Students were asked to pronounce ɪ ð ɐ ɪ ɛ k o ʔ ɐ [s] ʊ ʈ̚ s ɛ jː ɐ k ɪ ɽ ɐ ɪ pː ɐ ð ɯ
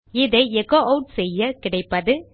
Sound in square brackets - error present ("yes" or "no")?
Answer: yes